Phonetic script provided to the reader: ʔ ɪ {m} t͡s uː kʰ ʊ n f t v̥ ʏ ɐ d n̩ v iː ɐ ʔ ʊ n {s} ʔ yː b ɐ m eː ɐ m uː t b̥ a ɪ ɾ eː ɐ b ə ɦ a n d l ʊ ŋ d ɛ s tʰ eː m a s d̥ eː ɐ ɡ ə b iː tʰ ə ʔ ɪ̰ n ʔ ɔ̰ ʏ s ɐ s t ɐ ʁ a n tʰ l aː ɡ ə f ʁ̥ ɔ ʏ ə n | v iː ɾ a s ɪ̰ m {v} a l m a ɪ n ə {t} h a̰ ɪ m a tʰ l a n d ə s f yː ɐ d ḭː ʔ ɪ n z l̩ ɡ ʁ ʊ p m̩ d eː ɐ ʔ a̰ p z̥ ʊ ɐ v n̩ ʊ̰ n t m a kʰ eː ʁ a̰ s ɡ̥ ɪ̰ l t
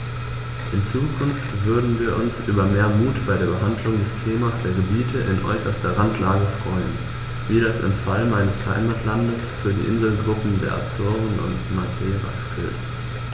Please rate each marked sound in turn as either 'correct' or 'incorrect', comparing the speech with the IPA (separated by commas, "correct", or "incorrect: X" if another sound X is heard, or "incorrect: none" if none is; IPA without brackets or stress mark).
incorrect: n, correct, incorrect: f, incorrect: s